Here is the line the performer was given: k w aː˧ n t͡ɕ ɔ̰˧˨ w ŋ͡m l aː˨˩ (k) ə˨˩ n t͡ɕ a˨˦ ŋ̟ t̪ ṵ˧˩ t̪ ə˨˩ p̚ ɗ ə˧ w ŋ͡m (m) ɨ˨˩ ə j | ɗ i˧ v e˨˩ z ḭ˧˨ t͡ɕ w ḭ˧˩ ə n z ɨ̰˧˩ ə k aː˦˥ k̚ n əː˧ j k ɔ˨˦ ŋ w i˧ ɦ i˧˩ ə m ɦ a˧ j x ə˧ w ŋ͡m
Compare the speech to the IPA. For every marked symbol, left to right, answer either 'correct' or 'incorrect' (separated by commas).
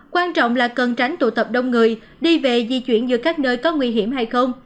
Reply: correct, incorrect